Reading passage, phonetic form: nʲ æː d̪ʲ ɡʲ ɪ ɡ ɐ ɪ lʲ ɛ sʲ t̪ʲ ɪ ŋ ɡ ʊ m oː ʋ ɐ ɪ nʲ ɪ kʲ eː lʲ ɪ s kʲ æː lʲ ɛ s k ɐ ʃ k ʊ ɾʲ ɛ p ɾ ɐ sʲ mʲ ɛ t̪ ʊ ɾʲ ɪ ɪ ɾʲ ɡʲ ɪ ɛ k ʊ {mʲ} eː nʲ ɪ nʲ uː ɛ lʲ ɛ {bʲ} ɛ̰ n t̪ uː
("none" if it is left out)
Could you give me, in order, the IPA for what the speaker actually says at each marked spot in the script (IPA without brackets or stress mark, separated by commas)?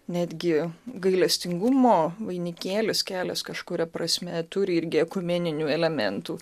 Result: mʲ, mʲ